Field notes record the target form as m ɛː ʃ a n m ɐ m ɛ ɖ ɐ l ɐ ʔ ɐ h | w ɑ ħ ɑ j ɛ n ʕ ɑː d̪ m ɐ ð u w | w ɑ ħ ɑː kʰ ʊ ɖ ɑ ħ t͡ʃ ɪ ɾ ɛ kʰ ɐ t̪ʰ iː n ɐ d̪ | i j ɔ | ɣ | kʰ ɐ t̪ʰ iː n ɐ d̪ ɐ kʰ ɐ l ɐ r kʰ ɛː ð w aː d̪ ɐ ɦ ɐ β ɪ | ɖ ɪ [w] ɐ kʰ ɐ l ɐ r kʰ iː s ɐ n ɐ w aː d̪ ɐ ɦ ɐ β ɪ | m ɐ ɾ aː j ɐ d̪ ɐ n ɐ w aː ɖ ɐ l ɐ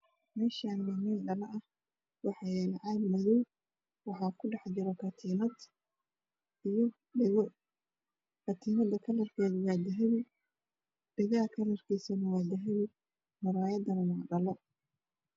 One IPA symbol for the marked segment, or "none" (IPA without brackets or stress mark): ɣ